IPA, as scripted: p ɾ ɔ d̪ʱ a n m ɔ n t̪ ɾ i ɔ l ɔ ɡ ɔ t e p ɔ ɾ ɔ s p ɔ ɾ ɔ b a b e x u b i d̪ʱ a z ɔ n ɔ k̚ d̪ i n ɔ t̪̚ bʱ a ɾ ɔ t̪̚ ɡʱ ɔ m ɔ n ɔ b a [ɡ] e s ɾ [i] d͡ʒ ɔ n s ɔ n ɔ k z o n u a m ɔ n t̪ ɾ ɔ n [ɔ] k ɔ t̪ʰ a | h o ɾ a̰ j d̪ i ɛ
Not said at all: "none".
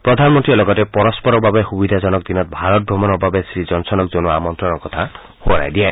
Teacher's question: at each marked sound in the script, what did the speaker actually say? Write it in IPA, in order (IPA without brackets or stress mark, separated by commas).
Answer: b, i, ɔ